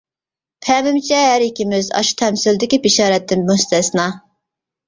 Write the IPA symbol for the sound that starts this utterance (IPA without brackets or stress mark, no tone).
pʰ